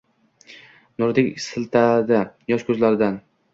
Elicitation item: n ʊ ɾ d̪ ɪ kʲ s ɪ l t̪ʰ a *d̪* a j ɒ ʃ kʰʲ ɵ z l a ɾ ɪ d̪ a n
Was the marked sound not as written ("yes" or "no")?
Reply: no